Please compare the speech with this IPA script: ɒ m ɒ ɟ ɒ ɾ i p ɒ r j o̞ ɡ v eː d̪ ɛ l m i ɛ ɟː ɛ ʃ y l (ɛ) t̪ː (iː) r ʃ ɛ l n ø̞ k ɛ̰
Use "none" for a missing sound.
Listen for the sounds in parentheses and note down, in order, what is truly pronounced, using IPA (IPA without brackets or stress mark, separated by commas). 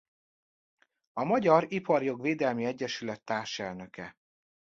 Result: ɛ, aː